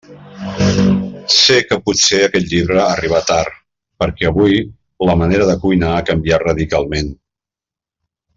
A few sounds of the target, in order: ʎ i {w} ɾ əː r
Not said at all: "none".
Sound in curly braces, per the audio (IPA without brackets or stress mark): β